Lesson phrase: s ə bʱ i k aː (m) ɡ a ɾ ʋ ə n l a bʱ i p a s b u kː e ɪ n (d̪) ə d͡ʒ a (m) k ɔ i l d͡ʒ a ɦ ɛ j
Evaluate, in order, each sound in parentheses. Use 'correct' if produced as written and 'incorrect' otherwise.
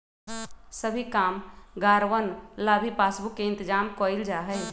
correct, incorrect: t̪, correct

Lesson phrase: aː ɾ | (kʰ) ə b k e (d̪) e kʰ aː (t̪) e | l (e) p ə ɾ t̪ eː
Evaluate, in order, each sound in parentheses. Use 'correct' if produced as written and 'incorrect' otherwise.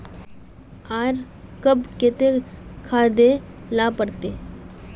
incorrect: k, incorrect: t̪, incorrect: d̪, incorrect: a

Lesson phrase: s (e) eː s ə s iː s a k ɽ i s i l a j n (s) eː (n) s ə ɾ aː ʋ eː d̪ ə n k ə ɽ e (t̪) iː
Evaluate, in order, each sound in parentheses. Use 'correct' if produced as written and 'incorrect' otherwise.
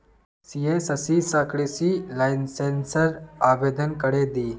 incorrect: i, correct, correct, incorrect: d̪

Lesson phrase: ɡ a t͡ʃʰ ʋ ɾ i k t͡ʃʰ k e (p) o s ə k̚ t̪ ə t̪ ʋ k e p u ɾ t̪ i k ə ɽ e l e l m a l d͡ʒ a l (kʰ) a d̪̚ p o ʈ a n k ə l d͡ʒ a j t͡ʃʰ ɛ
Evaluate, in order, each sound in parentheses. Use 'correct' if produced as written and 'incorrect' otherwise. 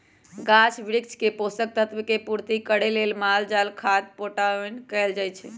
correct, correct

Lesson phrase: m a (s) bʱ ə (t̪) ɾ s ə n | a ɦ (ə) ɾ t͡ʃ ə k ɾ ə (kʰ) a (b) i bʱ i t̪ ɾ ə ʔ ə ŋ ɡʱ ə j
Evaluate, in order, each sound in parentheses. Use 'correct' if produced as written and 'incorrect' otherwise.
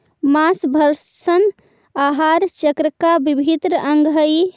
correct, incorrect: none, incorrect: a, incorrect: k, correct

